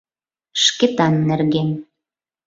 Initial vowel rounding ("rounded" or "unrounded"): unrounded